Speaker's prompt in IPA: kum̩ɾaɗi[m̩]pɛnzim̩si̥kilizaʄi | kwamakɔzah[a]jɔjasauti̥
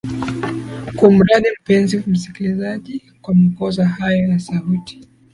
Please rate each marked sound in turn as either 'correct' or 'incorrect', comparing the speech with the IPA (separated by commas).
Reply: correct, correct